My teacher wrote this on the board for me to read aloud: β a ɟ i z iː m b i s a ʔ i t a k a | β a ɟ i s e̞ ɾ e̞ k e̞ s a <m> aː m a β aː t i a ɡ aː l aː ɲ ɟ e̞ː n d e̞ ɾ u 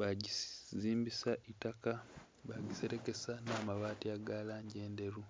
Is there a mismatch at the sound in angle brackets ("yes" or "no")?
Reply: yes